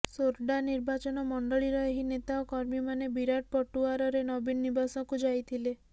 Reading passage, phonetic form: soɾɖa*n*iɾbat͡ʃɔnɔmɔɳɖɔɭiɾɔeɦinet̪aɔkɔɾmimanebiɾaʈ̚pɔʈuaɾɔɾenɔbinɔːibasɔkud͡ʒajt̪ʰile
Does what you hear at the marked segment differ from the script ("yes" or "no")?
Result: no